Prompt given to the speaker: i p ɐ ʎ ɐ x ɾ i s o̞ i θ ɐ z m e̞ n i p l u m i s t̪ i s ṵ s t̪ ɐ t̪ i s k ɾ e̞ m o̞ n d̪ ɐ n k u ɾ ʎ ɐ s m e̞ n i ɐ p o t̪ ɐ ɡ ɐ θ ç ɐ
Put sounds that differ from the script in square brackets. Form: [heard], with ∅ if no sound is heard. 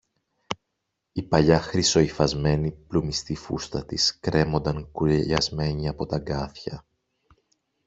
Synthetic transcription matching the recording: i p ɐ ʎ ɐ x ɾ i s o̞ i [f] ɐ z m e̞ n i p l u m i s t̪ i [f] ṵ s t̪ ɐ t̪ i s k ɾ e̞ m o̞ n d̪ ɐ [ŋ] k u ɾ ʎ ɐ [z] m e̞ [ɲ] i ɐ p o t̪ ɐ ɡ ɐ θ ç ɐ